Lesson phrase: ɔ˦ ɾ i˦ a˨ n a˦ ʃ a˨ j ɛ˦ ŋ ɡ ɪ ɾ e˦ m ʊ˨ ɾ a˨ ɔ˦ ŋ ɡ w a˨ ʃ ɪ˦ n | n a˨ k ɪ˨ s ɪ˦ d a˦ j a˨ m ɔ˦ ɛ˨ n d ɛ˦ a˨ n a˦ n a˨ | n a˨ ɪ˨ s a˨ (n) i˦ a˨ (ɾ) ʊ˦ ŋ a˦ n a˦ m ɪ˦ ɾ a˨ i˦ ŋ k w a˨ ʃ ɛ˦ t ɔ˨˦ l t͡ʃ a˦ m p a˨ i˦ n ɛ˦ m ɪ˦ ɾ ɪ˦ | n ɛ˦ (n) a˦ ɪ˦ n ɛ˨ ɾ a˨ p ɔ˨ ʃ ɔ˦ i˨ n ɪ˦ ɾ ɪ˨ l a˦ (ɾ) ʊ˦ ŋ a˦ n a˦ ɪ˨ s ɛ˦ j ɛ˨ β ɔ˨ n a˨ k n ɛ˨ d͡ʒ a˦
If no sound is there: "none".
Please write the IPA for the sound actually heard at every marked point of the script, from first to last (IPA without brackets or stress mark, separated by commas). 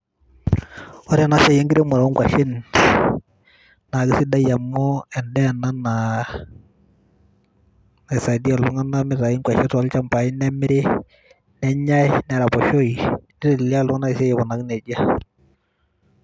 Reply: d, l, ɲ, l